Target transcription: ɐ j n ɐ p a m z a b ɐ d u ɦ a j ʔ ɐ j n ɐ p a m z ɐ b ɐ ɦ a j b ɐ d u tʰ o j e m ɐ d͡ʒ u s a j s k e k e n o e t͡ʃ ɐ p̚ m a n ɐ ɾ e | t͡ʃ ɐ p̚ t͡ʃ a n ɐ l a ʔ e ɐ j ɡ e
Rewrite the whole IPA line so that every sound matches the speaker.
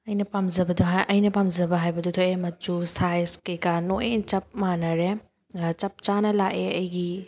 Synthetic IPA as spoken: ɐ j n ɐ p a m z ɐ b ɐ d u ɦ a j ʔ ɐ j n ɐ p a m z ɐ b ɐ ɦ a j b ɐ d u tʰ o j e m ɐ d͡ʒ u s a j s k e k a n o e t͡ʃ ɐ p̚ m a n ɐ ɾ e | t͡ʃ ɐ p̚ t͡ʃ a n ɐ l a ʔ e ɐ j ɡ i